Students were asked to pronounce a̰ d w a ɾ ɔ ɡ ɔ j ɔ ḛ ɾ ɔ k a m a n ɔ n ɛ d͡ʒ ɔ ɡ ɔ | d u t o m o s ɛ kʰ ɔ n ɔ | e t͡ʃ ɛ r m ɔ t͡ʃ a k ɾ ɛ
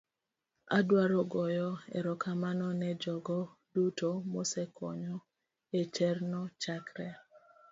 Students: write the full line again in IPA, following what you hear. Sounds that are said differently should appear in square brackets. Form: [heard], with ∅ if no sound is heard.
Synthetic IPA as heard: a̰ d w a ɾ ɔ ɡ ɔ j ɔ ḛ ɾ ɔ k a m a n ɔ n ɛ d͡ʒ ɔ ɡ ɔ | d u t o m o s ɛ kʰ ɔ [ɲ] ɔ | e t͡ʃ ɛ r [n] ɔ t͡ʃ a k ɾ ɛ